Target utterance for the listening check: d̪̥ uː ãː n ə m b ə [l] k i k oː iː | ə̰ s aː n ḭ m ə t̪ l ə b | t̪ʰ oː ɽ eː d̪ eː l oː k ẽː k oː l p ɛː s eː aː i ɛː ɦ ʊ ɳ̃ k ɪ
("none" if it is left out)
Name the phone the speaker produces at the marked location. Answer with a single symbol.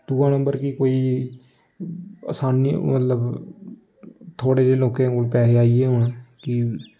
ɾ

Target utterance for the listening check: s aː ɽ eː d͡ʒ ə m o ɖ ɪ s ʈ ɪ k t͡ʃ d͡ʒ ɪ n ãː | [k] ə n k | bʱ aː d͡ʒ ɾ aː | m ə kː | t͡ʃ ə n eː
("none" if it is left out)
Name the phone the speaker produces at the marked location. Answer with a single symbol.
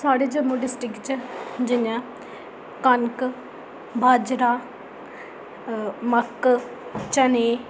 k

